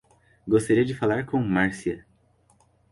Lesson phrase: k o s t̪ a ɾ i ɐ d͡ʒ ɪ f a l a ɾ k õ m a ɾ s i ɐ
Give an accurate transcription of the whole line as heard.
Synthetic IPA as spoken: ɡ o s t̪ a ɾ i ɐ d͡ʒ ɪ f a l a ɾ k õ m a ɾ s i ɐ